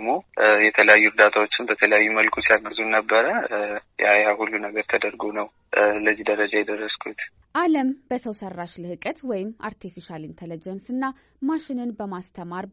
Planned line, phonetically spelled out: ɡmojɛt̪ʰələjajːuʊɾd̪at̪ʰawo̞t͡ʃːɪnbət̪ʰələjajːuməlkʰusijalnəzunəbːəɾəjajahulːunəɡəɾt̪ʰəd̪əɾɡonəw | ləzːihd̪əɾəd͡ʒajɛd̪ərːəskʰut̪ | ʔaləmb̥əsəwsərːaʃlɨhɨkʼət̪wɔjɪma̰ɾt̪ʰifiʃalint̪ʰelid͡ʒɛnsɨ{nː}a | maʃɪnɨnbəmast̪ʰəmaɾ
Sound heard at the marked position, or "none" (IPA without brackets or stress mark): nː